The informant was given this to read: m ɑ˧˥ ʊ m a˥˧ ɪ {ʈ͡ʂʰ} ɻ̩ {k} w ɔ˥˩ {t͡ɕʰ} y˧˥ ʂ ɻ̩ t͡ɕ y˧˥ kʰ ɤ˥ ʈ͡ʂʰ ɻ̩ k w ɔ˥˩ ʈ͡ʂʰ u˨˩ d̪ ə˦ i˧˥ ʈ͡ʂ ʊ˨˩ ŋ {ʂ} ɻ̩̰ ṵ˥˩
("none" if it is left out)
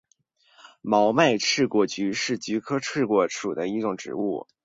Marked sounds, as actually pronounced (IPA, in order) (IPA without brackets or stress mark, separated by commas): ʈ͡ʂʰ, k, t͡ɕ, ʈ͡ʂ